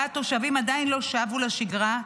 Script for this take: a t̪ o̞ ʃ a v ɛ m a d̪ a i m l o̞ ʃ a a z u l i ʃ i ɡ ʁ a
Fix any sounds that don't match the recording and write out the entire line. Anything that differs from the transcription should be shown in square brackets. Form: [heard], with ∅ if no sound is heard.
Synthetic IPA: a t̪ o̞ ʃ a v [i] m a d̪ a i [n] l o̞ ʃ a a [v] u l [a] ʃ i ɡ ʁ a